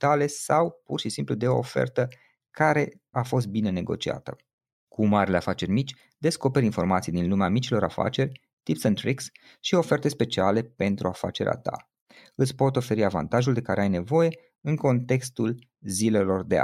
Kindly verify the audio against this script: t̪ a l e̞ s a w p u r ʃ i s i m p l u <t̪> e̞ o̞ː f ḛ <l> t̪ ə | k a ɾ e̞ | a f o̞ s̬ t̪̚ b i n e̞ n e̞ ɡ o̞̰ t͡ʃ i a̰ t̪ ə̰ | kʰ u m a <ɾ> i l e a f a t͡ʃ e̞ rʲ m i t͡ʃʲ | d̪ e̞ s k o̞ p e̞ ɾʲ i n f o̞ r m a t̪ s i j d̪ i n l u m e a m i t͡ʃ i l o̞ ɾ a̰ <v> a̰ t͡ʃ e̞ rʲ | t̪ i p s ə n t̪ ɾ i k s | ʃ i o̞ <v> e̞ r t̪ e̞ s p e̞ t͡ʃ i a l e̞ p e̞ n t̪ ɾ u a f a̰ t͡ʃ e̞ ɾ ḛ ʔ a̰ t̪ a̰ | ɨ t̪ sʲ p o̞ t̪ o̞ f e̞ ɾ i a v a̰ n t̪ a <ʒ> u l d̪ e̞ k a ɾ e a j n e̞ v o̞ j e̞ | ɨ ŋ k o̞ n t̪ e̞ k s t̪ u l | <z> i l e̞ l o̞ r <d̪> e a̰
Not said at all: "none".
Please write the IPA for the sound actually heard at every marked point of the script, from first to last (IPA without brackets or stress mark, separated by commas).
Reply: d̪, r, ɾ, f, f, ʒ, z, d̪